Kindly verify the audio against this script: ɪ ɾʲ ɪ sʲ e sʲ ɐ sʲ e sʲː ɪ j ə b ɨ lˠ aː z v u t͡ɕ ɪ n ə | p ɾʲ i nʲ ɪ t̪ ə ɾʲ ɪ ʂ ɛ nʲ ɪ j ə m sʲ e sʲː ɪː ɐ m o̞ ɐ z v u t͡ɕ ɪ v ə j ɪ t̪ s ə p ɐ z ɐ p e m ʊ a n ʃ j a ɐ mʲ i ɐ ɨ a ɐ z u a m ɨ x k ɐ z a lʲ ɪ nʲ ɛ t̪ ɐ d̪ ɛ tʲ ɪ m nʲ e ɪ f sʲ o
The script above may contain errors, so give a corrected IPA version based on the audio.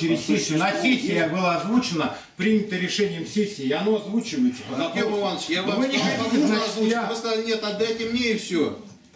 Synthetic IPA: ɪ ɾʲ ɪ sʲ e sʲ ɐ sʲ e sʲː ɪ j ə b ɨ lˠ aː z v u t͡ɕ ɪ n ə | p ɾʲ i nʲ ɪ t̪ ə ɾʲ ɪ ʂ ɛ nʲ ɪ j ə m sʲ e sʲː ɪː ɐ n o̞ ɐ z v u t͡ɕ ɪ v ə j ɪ t̪ s ə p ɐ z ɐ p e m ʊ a n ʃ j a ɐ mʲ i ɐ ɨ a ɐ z u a m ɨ s k ɐ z a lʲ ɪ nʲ e t̪ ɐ d̪ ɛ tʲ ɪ m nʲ e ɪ f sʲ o